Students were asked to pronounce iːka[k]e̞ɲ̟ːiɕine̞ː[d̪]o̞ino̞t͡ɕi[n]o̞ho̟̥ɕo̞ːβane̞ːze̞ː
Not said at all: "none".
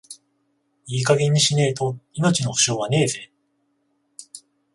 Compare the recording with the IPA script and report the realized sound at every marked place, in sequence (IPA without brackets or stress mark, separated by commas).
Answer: ɡ, t̪, n